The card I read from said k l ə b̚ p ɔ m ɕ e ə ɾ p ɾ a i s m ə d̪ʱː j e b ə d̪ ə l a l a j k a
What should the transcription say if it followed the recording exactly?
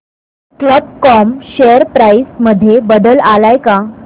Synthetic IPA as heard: k l ə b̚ k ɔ m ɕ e ə ɾ p ɾ a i s m ə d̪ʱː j e b ə d̪ ə l a l a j k a

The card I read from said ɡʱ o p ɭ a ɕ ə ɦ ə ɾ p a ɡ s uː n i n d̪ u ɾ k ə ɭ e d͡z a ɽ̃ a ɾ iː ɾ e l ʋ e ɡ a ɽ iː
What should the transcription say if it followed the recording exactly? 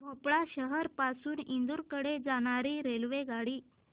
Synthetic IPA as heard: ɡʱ o p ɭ a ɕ ə ɦ ə ɾ p a s uː n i n d̪ u ɾ k ə ɽ e d͡z a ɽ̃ a ɾ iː ɾ e l ʋ e ɡ a ɽ iː

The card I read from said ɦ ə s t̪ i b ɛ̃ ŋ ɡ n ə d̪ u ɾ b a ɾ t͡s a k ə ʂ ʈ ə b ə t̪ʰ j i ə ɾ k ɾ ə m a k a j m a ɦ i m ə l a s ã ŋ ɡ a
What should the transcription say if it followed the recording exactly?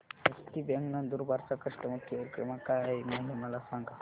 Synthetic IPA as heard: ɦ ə s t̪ i b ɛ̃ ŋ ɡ n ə d̪ u ɾ b a ɾ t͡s a k ə ʂ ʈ ə m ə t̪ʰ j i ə ɾ k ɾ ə m a k a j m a ɦ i m ə l a s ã ŋ ɡ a

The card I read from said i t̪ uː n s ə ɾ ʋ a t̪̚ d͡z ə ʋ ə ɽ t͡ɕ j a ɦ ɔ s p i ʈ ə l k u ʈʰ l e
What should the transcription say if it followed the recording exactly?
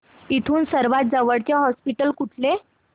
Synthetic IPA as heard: i t̪ʰ uː n s ə ɾ ʋ a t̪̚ d͡z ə ʋ ə ɽ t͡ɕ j a ɦ ɔ s p i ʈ ə l k u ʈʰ l e

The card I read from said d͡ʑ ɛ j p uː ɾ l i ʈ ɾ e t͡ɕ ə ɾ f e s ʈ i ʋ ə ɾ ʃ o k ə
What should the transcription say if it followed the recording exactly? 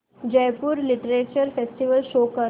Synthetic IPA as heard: d͡ʑ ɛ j p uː ɾ l i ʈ ɾ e t͡ɕ ə ɾ f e s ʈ i ʋ ə l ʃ o k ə

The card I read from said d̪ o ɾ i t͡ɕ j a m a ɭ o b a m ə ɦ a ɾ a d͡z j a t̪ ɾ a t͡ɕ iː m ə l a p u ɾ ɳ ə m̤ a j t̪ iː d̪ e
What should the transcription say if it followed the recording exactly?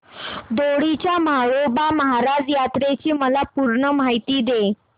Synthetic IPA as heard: d̪ o ɽ i t͡ɕ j a m a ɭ o b a m ə ɦ a ɾ a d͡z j a t̪ ɾ e t͡ɕ iː m ə l a p u ɾ ɳ ə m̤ a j t̪ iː d̪ e

